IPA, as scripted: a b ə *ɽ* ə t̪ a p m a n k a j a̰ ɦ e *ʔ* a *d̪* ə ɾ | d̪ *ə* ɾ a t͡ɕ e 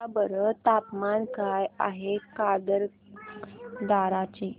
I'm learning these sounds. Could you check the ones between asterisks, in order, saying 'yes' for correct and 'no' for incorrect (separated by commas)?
no, no, yes, no